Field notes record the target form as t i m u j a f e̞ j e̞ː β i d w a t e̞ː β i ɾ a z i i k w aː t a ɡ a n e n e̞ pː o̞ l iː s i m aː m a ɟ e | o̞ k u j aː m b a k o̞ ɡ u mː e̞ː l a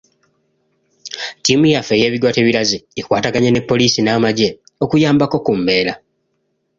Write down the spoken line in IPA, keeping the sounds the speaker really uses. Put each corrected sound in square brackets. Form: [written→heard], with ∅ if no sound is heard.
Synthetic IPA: t i m u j a f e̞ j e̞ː β i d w a t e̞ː β i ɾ a z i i k w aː t a ɡ a [n→ɲ] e n e̞ pː o̞ l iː s i [m→n] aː m a ɟ e | o̞ k u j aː m b a k o̞ [ɡ→k] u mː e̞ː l a